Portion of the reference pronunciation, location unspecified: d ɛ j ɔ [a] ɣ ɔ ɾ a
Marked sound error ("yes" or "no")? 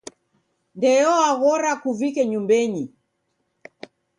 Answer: no